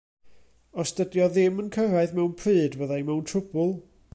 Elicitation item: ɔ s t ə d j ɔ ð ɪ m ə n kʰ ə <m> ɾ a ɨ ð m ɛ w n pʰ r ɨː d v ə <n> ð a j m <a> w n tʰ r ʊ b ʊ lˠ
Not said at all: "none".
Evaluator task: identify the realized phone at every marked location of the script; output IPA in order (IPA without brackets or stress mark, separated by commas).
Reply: none, none, ɛ